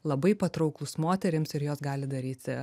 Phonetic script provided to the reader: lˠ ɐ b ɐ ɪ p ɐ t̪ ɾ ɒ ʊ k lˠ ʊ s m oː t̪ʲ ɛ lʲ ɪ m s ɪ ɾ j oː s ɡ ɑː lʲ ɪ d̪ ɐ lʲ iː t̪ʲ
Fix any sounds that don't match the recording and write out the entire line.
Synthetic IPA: lˠ ɐ b ɐ ɪ p ɐ t̪ ɾ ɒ ʊ k lˠ ʊ s m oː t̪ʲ ɛ ɾʲ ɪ m s ɪ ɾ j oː s ɡ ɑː lʲ ɪ d̪ ɐ ɾʲ iː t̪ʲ